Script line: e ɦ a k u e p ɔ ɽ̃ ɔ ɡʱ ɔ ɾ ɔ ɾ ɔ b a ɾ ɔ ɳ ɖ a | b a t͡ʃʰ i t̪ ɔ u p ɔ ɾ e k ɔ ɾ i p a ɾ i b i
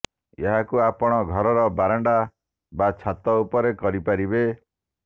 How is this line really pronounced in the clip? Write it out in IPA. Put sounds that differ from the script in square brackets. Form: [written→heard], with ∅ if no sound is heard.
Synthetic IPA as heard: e ɦ a k u [e→a] p ɔ ɽ̃ ɔ ɡʱ ɔ ɾ ɔ ɾ ɔ b a ɾ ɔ ɳ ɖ a | b a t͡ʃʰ [i→a] t̪ ɔ u p ɔ ɾ e k ɔ ɾ i p a ɾ i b [i→e]